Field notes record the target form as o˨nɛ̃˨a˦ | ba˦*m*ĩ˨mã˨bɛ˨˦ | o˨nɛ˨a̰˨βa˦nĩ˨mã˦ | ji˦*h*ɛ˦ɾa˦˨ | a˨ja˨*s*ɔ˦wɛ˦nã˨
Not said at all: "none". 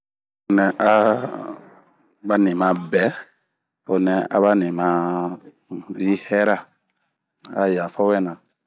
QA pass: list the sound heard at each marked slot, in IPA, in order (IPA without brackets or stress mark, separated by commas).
n, h, f